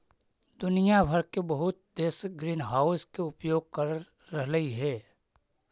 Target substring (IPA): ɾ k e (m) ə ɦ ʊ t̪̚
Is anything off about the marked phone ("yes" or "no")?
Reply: yes